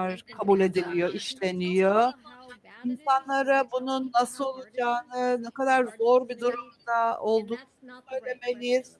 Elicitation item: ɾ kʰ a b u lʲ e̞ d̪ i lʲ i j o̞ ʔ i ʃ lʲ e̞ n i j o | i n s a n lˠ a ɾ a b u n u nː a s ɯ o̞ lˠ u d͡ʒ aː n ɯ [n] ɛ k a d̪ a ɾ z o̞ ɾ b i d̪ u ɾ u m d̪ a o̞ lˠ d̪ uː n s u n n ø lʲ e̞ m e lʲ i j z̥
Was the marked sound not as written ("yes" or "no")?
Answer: no